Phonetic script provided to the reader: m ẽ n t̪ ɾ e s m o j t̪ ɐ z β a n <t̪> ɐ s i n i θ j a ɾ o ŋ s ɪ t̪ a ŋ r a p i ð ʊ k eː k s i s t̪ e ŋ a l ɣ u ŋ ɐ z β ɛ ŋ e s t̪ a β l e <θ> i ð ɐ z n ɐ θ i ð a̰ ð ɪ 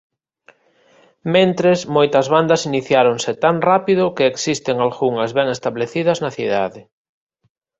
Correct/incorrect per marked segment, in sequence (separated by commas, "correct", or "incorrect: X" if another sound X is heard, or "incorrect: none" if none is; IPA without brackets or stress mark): incorrect: d̪, correct